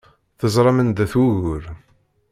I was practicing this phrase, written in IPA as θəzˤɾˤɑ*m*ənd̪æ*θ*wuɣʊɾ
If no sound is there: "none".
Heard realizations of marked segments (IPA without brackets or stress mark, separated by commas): m, θ